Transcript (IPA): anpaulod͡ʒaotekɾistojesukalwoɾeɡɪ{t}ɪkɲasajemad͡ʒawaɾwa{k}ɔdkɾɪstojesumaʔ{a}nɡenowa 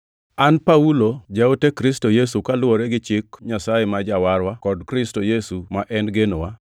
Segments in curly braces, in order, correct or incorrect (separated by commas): incorrect, correct, incorrect